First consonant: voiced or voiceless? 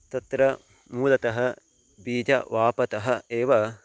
voiceless